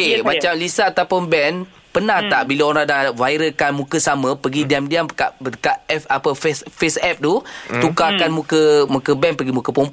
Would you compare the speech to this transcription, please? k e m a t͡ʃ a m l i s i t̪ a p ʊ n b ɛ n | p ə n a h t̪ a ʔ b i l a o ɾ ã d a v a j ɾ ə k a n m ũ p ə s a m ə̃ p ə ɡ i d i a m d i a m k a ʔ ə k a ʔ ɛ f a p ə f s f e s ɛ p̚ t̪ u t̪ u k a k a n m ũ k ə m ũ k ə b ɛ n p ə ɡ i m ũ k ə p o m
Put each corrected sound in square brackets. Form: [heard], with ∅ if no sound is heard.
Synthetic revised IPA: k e m a t͡ʃ a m l i s [a] t̪ a p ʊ n b ɛ n | p ə n a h t̪ a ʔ b i l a o ɾ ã d a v a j ɾ ə k a n m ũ [k] ə s a m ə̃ p ə ɡ i d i a m d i a m k a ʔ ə k a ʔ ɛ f a p ə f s f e s ɛ p̚ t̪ u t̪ u k a k a n m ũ k ə m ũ k ə b ɛ n p ə ɡ i m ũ k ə p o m